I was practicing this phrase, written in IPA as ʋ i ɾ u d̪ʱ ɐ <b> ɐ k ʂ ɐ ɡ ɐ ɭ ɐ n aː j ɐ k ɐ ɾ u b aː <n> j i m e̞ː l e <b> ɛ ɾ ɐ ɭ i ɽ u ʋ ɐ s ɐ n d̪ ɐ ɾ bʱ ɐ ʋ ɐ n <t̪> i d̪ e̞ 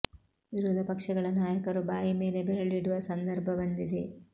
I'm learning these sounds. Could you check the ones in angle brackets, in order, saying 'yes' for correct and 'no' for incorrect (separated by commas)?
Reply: no, no, yes, no